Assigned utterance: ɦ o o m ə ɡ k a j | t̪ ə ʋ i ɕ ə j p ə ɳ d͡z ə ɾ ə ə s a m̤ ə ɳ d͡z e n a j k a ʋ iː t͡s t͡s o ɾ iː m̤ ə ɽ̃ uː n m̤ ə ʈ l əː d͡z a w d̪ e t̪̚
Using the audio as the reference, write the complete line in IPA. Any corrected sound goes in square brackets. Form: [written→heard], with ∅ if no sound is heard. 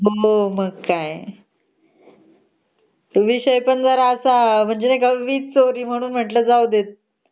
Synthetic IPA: ɦ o o m ə ɡ k a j | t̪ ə ʋ i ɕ ə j p ə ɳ d͡z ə ɾ [ə→a] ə s a m̤ ə ɳ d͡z e n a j k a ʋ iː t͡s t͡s o ɾ iː m̤ ə ɽ̃ uː n m̤ ə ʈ l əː d͡z a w d̪ e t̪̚